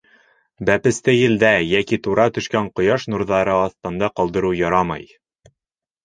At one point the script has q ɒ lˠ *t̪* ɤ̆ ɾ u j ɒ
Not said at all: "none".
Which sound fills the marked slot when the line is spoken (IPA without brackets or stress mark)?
d̪